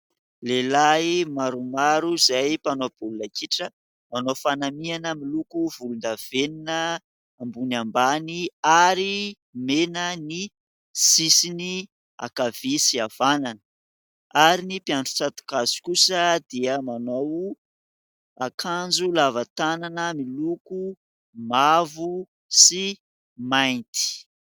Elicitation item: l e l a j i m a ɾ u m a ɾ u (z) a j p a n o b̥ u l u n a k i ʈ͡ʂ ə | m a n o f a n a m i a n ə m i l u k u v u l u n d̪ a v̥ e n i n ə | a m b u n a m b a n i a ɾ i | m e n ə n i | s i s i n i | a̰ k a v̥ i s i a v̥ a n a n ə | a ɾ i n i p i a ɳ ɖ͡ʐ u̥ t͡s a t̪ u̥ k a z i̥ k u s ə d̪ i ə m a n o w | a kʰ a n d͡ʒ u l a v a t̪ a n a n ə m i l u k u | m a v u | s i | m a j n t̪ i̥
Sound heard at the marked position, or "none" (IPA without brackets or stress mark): z